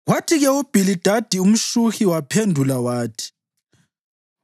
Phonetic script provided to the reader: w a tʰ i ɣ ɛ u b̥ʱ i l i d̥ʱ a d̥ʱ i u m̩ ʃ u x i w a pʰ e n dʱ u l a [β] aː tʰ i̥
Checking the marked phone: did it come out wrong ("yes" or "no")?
yes